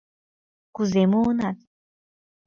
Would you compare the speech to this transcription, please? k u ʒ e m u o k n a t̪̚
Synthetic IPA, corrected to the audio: k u z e m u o n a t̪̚

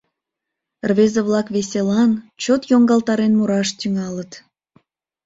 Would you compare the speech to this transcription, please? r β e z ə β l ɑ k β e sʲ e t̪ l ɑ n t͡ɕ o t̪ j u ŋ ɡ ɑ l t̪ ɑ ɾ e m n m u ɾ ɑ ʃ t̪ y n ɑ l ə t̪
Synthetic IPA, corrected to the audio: r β e z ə β l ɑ k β e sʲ e l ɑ n t͡ɕ o t̪ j o ŋ ɡ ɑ l t̪ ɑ ɾ e n m u ɾ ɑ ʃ t̪ y ŋ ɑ l ə t̪

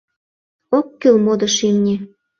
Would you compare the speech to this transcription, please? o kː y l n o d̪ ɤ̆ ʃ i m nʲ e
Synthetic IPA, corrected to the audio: o kː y l m o d̪ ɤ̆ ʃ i m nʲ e

